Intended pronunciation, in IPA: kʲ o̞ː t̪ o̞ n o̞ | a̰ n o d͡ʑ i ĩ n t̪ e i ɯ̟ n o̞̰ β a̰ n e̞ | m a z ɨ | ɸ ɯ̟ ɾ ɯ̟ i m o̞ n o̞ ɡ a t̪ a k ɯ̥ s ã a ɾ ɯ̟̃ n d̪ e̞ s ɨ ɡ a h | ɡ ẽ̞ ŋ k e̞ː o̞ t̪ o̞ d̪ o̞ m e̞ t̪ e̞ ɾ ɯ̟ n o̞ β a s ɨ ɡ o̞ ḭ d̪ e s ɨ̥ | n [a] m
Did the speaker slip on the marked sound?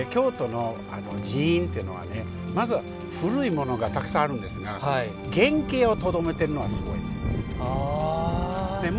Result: yes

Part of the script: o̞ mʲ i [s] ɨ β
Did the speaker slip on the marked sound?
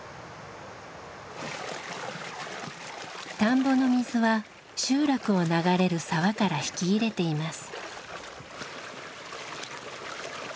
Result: yes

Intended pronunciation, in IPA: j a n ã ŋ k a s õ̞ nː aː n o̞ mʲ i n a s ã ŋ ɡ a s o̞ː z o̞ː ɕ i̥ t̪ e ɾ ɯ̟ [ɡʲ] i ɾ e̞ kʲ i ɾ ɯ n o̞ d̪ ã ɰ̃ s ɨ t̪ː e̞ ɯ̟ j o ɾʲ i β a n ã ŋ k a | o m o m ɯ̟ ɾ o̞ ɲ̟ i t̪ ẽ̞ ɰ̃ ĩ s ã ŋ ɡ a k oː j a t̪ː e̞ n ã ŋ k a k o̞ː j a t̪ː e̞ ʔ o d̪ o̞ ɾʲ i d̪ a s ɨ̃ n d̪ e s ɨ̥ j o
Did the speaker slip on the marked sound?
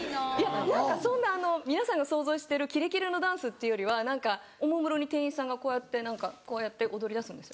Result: yes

